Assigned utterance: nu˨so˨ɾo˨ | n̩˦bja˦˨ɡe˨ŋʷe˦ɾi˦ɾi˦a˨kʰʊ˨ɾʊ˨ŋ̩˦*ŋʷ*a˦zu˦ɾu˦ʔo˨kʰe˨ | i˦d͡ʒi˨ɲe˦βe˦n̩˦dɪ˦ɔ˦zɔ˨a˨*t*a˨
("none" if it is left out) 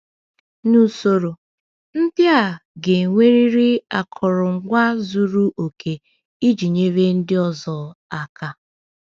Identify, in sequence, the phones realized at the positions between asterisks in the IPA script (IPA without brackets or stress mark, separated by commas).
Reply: ɡʷ, k